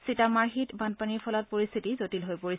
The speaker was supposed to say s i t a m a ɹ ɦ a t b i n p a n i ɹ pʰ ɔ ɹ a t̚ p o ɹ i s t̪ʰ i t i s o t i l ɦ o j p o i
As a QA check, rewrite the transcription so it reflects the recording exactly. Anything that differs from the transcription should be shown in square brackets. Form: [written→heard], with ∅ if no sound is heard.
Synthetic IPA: s i t a m a ɹ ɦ [a→i] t b [i→a] n p a n i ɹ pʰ ɔ [ɹ→l] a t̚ p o ɹ i s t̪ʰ i t i [s→z] o t i l ɦ o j p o i

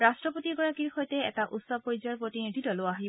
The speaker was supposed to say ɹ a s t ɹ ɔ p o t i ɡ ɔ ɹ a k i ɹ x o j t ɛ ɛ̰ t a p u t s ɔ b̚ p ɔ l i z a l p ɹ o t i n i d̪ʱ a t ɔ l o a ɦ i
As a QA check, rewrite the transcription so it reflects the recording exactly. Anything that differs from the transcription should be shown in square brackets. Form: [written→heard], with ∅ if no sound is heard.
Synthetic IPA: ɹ a s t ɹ ɔ p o t i ɡ ɔ ɹ a k i ɹ x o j t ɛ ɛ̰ t a [p→ʔ] u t s ɔ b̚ p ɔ [l→ɹ] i z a [l→ɹ] p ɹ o t i n i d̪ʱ [a→i] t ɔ l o a ɦ i

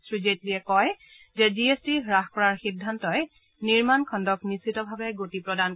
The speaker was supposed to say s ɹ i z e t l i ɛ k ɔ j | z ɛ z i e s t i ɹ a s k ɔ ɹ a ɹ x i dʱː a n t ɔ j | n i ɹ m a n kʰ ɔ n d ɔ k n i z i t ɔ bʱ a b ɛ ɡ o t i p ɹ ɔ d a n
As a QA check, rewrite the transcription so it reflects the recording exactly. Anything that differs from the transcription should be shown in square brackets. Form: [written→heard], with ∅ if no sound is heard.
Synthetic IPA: s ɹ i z e t l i ɛ k ɔ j | z ɛ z i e s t i ɹ a [s→x] k ɔ ɹ a ɹ x i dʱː a n t ɔ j | n i ɹ m a n kʰ ɔ n d ɔ k n i [z→s] i t ɔ bʱ a b ɛ ɡ o t i p ɹ ɔ d a n

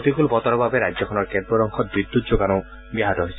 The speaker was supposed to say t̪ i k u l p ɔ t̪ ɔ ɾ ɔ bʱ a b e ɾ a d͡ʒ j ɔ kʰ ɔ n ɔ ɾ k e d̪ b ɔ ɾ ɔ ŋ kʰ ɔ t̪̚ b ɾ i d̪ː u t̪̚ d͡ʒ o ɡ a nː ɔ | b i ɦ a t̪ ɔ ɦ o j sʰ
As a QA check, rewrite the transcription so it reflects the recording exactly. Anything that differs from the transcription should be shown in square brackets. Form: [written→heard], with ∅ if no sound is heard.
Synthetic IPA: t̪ i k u l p ɔ t̪ ɔ ɾ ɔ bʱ a b e ɾ a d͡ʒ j ɔ kʰ ɔ n ɔ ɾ k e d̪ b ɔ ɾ ɔ ŋ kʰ ɔ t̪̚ b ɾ i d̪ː u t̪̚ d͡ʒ o ɡ a [nː→n] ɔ | b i ɦ a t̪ ɔ ɦ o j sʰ

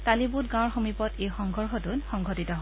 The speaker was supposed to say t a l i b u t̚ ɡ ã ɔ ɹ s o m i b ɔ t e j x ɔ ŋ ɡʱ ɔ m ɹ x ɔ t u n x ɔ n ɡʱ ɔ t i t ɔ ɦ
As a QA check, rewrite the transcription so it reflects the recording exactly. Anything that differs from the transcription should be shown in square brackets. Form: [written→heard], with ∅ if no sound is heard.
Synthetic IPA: t a l i b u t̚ ɡ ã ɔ ɹ [s→x] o m i [b→p] ɔ t e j x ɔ ŋ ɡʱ ɔ [m→∅] ɹ x ɔ t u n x ɔ [n→ŋ] ɡʱ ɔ t i t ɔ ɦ

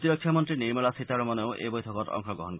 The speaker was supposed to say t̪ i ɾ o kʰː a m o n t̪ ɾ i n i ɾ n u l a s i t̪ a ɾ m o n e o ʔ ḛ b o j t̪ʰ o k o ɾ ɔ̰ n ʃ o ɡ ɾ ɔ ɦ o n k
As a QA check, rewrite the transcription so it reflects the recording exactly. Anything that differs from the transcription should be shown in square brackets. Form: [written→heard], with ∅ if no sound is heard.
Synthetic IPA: t̪ i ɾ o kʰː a m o n t̪ ɾ i n i ɾ [n→m] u l a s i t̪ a ɾ m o n e o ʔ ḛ b o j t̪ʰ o k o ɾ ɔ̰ [n→ŋ] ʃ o ɡ ɾ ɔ ɦ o n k

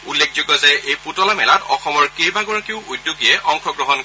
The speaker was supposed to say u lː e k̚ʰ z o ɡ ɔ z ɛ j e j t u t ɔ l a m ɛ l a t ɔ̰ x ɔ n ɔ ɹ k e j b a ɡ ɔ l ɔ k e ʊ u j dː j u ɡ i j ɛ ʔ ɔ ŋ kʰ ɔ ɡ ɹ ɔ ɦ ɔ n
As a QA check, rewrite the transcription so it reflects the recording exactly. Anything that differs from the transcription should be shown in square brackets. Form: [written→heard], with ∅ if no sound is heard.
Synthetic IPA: u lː e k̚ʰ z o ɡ ɔ z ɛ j e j [t→p] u t ɔ l a m ɛ l a t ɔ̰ x ɔ [n→m] ɔ ɹ k e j b a ɡ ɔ [l→ɹ] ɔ k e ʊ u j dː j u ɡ i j ɛ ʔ ɔ ŋ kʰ ɔ ɡ ɹ ɔ ɦ ɔ n

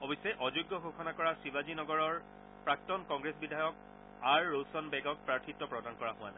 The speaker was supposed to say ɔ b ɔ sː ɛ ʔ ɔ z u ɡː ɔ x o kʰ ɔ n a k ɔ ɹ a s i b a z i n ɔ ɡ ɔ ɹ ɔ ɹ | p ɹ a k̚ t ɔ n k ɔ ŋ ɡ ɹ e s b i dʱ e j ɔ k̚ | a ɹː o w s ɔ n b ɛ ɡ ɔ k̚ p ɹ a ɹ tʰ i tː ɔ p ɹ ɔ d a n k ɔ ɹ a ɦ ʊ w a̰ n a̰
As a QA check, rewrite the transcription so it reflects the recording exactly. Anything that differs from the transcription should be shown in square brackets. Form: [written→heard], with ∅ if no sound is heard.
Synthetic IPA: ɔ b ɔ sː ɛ ʔ ɔ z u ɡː ɔ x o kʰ ɔ n a k ɔ ɹ a s i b a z i n ɔ ɡ ɔ ɹ ɔ ɹ | p ɹ a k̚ t ɔ n k ɔ ŋ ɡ ɹ e s b i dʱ [e→a] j ɔ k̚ | a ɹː o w s ɔ n b ɛ ɡ ɔ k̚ p ɹ a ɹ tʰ i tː ɔ p ɹ ɔ d a n k ɔ ɹ a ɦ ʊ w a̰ n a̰

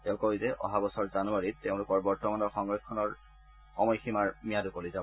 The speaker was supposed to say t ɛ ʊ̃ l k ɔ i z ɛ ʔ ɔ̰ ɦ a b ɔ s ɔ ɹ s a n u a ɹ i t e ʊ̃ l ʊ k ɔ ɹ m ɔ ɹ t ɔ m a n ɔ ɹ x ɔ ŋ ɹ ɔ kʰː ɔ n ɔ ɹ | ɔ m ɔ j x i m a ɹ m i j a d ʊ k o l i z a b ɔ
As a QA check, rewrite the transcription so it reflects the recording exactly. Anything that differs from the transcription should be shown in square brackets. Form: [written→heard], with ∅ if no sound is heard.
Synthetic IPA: t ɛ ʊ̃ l k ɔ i z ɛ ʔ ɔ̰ ɦ a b ɔ s ɔ ɹ [s→z] a n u a ɹ i t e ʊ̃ l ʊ k ɔ ɹ [m→b] ɔ ɹ t ɔ m a n ɔ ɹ x ɔ ŋ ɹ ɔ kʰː ɔ n ɔ ɹ | ɔ m ɔ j x i m a ɹ m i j a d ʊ k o l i z a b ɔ

